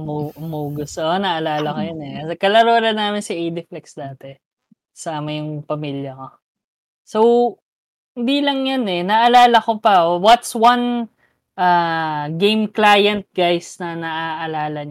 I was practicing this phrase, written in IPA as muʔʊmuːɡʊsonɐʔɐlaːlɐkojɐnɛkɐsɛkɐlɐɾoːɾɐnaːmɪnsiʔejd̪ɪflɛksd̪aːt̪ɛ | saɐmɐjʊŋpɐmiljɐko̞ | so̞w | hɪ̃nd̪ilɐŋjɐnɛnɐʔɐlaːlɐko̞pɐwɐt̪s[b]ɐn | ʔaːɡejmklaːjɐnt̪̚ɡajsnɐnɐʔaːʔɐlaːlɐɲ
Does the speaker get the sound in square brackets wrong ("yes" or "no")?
yes